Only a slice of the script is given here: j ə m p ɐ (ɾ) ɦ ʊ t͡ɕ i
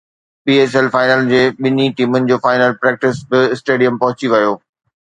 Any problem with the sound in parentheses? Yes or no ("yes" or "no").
yes